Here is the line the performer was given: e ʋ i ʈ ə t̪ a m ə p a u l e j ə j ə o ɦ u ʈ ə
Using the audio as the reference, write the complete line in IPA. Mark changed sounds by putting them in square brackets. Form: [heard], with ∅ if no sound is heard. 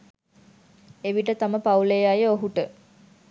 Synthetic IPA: e ʋ i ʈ ə t̪ a m ə p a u l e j [a] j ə o ɦ u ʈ ə

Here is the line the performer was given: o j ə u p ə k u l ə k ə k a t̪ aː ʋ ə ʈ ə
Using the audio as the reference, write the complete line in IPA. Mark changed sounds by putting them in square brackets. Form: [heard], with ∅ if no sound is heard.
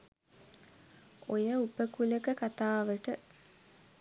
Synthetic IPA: o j ə u p ə k u l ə k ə k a t̪ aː ʋ ə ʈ ə

